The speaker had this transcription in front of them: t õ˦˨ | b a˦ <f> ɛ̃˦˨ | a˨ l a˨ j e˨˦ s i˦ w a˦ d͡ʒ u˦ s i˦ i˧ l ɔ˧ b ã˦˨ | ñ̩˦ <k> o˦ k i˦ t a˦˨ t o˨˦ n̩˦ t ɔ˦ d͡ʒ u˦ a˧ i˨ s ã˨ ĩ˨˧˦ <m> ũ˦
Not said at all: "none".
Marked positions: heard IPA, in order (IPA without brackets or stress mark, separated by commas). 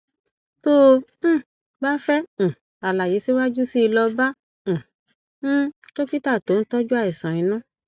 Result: f, t, n